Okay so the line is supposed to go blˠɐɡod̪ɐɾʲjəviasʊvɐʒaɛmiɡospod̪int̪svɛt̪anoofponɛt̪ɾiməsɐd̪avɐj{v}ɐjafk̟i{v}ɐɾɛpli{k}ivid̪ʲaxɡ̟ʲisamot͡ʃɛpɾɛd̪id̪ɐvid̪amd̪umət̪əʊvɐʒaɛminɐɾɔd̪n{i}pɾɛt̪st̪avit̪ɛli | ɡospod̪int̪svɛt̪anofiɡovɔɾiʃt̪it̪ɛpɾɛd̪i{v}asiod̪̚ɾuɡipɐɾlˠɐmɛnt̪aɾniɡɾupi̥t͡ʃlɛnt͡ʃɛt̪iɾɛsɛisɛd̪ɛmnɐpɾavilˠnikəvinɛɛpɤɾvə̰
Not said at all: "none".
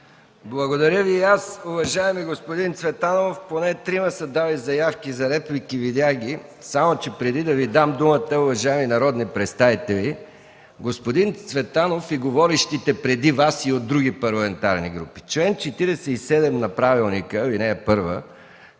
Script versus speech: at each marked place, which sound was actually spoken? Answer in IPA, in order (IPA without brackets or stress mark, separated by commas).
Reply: z, z, k, i, v